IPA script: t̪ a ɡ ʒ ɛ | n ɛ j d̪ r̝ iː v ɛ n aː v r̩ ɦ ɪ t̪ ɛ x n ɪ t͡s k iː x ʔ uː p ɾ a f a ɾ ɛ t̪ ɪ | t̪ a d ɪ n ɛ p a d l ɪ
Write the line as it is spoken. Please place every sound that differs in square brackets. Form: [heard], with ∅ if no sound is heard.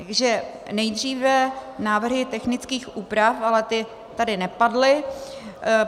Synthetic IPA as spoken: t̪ a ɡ ʒ ɛ | n ɛ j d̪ r̝ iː v ɛ n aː v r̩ ɦ ɪ t̪ ɛ x n ɪ t͡s k iː x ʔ uː p ɾ a f a [l] ɛ t̪ ɪ | t̪ a d ɪ n ɛ p a d l ɪ